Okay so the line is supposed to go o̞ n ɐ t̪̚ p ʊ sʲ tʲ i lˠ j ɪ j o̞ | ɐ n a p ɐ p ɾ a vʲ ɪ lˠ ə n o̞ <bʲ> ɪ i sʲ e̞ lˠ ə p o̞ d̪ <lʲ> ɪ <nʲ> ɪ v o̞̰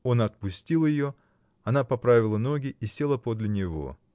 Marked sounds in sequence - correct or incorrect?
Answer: incorrect: ɡʲ, correct, correct

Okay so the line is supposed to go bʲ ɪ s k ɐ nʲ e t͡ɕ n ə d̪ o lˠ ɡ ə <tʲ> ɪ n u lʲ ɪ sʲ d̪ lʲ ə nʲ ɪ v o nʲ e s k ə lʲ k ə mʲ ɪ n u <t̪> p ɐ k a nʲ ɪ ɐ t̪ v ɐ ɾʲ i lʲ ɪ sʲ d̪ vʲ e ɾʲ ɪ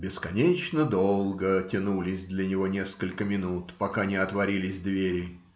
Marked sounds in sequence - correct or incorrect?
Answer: correct, correct

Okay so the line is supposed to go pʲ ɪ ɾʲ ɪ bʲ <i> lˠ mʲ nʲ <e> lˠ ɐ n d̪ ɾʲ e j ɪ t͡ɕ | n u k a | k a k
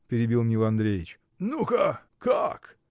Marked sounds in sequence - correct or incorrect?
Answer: correct, incorrect: i

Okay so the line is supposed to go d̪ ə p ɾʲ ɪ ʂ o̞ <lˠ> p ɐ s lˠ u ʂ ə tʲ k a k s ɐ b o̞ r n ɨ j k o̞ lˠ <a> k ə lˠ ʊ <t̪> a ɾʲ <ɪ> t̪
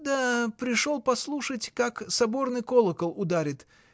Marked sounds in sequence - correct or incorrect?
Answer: correct, incorrect: ə, incorrect: d̪, correct

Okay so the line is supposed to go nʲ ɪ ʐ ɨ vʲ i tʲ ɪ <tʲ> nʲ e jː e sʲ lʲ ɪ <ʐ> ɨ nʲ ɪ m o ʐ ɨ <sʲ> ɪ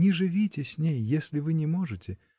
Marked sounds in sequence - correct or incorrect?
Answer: incorrect: sʲ, incorrect: v, incorrect: tʲ

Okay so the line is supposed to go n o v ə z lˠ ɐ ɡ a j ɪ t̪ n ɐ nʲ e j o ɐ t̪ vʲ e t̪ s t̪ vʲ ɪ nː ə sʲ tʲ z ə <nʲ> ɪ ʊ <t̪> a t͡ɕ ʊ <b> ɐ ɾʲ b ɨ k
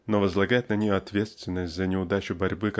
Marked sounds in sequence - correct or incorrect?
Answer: correct, incorrect: d̪, correct

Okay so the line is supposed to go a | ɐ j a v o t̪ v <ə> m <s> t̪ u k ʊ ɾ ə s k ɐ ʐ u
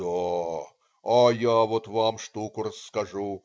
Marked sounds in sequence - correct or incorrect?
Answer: incorrect: a, incorrect: ʂ

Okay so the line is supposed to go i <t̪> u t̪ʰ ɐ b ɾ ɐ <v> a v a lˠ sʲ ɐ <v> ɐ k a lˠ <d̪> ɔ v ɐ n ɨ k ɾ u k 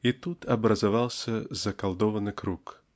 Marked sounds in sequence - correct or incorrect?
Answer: correct, incorrect: z, incorrect: z, correct

